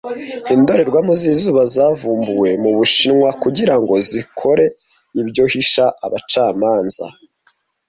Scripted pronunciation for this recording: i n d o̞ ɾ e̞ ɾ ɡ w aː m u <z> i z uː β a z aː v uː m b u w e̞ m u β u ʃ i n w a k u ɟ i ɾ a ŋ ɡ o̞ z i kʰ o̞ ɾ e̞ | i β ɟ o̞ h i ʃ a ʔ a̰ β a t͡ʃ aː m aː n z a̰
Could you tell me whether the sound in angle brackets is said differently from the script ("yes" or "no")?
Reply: no